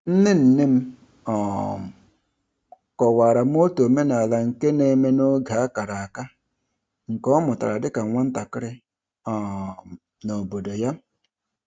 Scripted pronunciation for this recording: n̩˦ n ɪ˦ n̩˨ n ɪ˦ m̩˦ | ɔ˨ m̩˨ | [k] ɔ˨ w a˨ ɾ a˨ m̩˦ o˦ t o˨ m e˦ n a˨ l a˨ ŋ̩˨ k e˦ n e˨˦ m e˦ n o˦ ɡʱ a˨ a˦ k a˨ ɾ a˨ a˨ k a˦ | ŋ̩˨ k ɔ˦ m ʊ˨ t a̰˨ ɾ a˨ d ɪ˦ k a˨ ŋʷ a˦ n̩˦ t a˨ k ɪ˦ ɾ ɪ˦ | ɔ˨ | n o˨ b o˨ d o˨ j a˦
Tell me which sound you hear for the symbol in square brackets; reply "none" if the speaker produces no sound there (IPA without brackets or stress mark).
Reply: k